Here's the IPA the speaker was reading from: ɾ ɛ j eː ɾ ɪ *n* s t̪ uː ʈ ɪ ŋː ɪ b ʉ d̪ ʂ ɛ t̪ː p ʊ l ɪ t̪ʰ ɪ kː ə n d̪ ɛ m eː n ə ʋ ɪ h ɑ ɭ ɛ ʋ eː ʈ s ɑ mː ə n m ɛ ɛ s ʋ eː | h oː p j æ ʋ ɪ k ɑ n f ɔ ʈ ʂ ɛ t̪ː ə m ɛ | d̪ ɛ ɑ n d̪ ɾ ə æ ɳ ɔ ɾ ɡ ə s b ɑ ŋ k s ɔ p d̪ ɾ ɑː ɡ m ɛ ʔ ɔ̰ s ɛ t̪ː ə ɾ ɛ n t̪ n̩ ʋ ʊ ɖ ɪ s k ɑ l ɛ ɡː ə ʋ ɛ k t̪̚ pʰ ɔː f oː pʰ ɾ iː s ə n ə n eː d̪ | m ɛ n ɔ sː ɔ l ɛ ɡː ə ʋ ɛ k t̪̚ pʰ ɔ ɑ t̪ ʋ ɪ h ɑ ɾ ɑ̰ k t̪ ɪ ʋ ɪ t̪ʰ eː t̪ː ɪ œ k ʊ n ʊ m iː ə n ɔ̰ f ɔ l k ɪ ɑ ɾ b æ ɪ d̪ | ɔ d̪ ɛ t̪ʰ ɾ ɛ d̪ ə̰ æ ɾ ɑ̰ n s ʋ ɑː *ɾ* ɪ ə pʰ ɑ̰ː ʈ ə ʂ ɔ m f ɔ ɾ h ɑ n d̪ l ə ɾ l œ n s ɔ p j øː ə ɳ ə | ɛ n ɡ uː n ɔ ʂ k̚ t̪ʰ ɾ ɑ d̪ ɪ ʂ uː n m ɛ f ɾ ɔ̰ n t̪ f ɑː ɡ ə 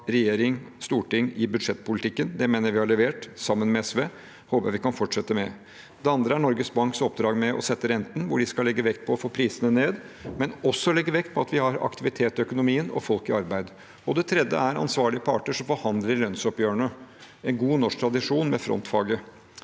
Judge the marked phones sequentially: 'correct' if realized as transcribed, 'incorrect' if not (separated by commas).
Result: incorrect, incorrect